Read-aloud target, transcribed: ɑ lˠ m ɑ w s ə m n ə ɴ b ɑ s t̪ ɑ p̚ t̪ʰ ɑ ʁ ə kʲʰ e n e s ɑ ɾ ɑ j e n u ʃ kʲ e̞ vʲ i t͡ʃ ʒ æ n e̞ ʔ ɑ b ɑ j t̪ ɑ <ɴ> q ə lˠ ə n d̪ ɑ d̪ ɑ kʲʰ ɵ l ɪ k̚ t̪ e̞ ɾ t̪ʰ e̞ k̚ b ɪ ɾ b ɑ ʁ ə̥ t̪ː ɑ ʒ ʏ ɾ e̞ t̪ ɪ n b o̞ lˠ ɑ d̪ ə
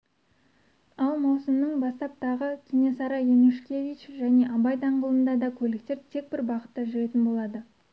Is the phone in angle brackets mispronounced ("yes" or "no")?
no